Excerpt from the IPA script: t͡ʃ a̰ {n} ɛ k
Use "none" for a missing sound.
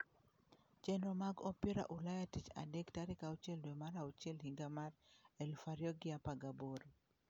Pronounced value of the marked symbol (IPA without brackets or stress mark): d